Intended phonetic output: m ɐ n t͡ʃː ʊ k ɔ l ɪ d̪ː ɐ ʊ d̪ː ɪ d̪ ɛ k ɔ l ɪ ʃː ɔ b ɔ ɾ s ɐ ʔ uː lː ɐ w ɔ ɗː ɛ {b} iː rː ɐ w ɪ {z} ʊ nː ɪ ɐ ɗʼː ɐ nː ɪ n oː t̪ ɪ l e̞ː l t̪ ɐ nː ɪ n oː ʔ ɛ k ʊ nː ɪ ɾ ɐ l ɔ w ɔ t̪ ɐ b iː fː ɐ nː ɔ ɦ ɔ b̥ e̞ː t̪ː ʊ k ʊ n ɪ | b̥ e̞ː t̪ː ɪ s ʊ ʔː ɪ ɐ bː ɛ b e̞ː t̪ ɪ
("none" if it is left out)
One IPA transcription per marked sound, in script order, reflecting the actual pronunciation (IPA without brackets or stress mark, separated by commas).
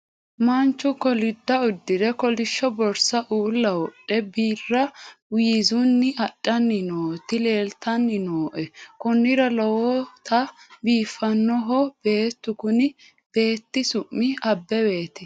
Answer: b, z